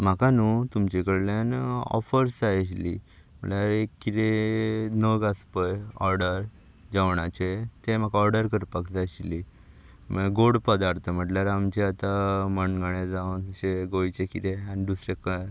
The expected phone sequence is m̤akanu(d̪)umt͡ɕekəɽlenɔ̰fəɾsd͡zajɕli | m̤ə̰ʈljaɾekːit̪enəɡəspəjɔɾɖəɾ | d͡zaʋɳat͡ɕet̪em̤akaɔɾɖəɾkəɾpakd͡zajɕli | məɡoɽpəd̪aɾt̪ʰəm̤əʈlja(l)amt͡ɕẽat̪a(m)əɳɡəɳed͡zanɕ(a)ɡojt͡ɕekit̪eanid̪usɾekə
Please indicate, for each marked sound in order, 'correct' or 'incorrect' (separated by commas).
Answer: incorrect, incorrect, correct, incorrect